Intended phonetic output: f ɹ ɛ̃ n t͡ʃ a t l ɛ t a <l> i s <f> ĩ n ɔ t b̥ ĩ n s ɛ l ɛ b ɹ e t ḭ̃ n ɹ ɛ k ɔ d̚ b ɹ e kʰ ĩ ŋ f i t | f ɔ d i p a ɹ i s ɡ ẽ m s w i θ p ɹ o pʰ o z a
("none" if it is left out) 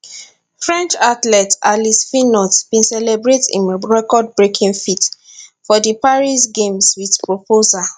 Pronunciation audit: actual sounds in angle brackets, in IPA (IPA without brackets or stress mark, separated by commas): l, f